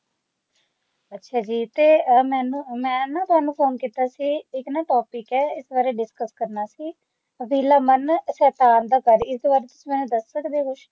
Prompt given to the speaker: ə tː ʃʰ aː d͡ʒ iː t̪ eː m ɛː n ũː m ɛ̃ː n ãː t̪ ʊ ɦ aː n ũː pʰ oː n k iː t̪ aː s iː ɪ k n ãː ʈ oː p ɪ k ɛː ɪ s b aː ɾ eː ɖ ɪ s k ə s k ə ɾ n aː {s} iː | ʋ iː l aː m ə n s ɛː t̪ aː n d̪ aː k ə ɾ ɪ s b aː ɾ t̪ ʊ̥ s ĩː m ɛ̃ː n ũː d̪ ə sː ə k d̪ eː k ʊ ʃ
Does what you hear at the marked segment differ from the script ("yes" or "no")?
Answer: no